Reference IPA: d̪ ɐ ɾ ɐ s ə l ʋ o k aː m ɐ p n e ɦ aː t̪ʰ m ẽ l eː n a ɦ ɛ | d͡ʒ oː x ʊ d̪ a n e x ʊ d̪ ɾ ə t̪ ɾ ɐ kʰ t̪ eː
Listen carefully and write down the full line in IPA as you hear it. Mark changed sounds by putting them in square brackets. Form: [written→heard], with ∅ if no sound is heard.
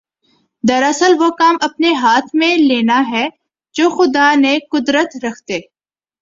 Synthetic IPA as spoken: d̪ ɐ ɾ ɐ s ə l ʋ o k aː m ɐ p n e ɦ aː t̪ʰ m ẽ l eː n a ɦ ɛ | d͡ʒ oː x ʊ d̪ a n e [x→k] ʊ d̪ ɾ ə t̪ ɾ ɐ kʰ t̪ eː